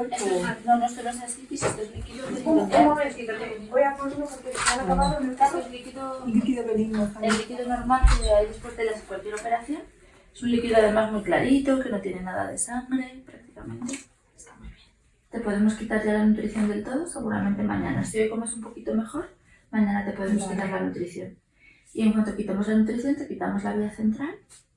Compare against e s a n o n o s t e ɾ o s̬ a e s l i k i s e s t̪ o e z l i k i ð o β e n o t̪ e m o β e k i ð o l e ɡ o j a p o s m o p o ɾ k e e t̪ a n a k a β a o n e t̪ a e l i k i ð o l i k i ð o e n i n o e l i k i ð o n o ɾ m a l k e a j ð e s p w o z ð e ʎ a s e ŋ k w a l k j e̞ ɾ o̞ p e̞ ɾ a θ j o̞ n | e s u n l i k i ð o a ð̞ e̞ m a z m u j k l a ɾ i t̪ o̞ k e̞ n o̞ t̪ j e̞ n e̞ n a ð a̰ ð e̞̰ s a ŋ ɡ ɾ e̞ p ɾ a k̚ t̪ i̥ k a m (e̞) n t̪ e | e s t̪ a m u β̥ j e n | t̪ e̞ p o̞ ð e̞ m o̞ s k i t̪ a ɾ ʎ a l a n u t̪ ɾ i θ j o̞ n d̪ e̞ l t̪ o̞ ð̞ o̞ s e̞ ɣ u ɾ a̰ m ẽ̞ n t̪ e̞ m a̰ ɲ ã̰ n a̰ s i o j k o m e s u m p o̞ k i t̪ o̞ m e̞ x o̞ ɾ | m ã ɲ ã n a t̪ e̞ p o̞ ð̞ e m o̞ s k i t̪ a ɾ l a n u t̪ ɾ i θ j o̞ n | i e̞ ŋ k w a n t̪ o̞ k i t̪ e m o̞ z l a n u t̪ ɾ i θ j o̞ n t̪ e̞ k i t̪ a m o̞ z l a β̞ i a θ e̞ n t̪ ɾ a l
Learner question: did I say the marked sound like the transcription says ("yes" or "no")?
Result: no